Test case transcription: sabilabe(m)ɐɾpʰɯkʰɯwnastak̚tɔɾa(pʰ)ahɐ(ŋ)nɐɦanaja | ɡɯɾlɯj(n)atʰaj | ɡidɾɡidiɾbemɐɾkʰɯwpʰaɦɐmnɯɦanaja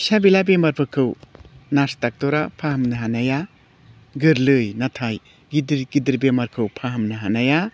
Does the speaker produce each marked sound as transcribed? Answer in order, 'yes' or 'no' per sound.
yes, yes, no, yes

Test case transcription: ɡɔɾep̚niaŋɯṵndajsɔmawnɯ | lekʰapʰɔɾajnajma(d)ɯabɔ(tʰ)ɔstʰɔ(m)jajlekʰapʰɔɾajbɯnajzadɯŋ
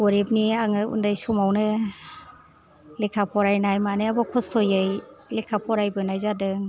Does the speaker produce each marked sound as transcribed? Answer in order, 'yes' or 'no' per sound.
no, no, no

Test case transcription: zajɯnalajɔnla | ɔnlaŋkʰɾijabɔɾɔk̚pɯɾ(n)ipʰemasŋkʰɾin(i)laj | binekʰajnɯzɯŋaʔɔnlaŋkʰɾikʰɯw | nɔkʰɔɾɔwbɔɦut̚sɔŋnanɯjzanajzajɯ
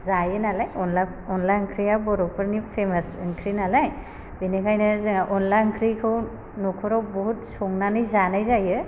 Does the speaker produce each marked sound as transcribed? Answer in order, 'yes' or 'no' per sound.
yes, no

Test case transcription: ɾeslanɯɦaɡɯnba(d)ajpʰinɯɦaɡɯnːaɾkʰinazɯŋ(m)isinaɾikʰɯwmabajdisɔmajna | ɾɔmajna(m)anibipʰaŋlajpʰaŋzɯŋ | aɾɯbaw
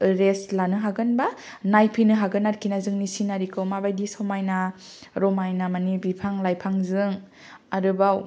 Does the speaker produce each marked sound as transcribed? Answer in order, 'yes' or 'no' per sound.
no, no, yes

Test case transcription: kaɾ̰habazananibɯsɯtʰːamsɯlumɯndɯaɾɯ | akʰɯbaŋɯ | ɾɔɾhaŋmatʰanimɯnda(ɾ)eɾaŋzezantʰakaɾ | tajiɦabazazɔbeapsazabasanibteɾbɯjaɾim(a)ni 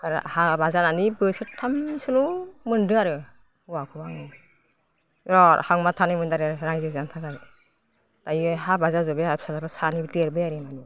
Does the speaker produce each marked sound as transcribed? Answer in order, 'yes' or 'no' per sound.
yes, yes

